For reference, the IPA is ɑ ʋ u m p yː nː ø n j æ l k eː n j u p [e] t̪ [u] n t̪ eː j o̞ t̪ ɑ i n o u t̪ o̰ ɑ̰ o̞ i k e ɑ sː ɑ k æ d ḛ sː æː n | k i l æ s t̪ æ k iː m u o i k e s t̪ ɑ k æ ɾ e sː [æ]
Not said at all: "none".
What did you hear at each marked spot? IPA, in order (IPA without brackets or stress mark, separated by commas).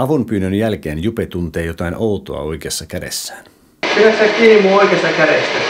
e, u, æ